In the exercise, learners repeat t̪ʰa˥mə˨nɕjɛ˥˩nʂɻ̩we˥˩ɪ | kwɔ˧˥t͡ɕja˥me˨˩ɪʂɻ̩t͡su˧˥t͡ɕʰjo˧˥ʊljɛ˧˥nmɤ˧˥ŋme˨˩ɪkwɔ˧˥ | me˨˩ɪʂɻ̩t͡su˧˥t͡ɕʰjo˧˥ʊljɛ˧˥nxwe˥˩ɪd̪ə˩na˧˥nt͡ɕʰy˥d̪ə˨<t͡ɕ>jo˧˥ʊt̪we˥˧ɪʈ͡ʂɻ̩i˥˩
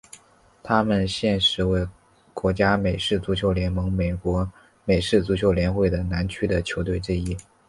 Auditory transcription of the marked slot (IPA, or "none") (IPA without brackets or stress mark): t͡ɕʰ